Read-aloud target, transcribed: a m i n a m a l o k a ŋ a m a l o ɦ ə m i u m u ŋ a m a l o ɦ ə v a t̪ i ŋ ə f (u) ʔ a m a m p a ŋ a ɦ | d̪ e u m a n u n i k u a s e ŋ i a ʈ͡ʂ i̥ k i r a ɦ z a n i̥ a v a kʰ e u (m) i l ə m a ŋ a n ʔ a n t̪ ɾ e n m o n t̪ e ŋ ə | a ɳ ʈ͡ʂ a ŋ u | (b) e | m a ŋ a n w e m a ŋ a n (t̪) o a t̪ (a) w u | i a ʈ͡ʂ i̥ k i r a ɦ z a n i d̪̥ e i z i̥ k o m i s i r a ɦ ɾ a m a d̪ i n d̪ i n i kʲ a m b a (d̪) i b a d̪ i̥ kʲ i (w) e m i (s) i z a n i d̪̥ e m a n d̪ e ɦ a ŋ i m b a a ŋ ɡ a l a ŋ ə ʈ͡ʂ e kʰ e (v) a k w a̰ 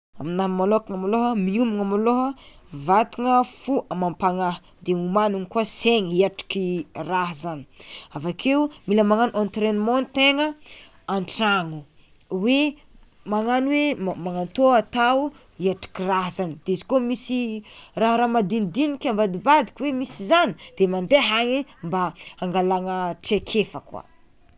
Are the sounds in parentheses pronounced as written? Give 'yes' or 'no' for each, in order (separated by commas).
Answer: yes, yes, no, yes, yes, yes, yes, yes, no